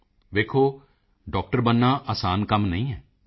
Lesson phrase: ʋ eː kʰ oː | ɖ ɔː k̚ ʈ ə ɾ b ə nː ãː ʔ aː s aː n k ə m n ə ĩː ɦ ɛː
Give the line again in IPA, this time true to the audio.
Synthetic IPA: ʋ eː kʰ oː | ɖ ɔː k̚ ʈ ə ɾ b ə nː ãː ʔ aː s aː n k ə m n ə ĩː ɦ ɛː